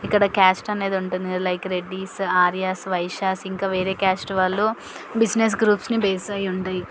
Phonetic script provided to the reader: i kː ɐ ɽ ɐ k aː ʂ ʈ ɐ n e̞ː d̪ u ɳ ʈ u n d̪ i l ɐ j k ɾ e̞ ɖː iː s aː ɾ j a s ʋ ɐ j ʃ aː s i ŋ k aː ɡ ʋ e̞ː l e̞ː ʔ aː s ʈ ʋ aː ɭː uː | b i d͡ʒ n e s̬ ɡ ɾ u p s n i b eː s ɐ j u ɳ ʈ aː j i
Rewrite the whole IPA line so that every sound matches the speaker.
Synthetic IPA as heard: i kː ɐ ɽ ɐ k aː s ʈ ɐ n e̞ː d̪ u ɳ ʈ u n d̪ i l ɐ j k ɾ e̞ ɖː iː s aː ɾ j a s ʋ ɐ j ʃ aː s i ŋ k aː ʋ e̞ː ɾ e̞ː k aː s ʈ ʋ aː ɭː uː | b i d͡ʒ n e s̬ ɡ ɾ uː p s n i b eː s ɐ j u ɳ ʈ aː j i